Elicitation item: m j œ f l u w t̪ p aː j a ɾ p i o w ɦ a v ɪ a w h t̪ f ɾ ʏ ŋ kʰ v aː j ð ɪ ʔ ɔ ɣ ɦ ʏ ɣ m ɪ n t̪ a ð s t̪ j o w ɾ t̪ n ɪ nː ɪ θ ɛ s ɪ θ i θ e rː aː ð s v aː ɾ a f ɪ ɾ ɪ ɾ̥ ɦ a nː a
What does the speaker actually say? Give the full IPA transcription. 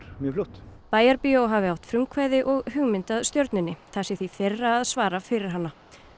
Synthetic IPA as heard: m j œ f l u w t̪ p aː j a ɾ p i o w ɦ a v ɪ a w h t̪ f ɾ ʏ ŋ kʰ v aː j ð ɪ ʔ ɔ ɣ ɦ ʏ ɣ m ɪ n t̪ a ð s t̪ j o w ɾ t̪ n ɪ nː ɪ θ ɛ s ɪ θ i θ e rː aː ð s v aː ɾ a f ɪ ɾ ɪ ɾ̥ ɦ a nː a

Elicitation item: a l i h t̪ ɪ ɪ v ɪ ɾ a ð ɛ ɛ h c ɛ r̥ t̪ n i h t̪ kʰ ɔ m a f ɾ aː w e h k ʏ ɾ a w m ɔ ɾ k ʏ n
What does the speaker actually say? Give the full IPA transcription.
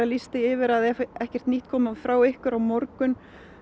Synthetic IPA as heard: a l i s t̪ ɪ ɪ v ɪ ɾ a ð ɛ ɛ h c ɛ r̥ t̪ n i h t̪ kʰ ɔː m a f ɾ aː w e h k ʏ ɾ a w m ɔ ɾ k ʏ n

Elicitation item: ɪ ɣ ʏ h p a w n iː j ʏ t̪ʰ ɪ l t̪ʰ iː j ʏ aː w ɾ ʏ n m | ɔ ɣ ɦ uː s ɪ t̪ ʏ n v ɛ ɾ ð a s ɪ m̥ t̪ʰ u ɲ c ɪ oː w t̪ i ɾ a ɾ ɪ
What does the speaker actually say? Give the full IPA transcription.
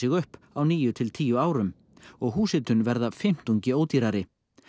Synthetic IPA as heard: ɪ ɣ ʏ h p a w n iː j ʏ t̪ʰ ɪ l t̪ʰ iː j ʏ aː w ɾ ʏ m | ɔ ɣ ɦ uː s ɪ t̪ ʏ n v ɛ ɾ ð a f ɪ m̥ t̪ u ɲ c ɪ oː w t̪ i ɾ a ɾ ɪ

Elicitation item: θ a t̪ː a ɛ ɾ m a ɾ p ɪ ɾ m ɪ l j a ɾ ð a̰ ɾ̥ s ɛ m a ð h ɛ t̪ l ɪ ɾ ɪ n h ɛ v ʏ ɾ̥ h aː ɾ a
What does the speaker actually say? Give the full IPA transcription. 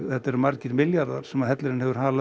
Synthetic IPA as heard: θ ɛ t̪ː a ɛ ɾ m a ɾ c ɪ ɾ m ɪ l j a ɾ ð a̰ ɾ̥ s ɛ m a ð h ɛ t̪ l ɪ ɾ ɪ n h ɛ v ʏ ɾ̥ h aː l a

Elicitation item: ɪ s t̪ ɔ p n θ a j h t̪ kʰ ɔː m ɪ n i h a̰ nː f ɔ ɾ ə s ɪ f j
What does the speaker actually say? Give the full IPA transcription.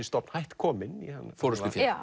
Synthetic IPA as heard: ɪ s t̪ ɔ p n h a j h t̪ kʰ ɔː m ɪ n i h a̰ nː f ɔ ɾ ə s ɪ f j

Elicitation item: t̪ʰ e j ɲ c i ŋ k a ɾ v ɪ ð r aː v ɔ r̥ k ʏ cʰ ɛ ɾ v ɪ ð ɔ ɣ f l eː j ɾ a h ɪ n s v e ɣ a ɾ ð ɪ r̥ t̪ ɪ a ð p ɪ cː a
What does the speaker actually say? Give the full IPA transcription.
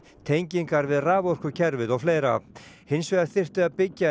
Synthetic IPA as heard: t̪ʰ e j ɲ c i ŋ k a ɾ v ɪ ð r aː v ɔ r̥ k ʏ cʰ ɛ ɾ v ɪ ð ɔ ɣ f l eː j ɾ a h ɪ n s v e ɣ a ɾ θ ɪ r̥ t̪ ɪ a ð p ɪ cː a

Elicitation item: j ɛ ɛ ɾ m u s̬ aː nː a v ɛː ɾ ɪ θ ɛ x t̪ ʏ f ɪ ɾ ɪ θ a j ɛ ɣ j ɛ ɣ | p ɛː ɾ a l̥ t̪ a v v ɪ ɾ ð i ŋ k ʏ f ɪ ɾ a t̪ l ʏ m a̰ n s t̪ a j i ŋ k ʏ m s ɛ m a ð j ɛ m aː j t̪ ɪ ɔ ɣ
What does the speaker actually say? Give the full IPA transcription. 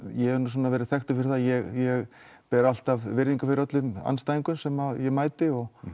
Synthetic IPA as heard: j ɛ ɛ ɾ n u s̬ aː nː a v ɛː ɾ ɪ θ ɛ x t̪ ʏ f ɪ ɾ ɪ θ a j ɛ ɣ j ɛ ɣ | p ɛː ɾ a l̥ t̪ a v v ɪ ɾ ð i ŋ k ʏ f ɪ ɾ a t̪ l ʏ m a̰ n s t̪ a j i ŋ k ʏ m s ɛ m a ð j ɛ m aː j t̪ ɪ ɔ ɣ

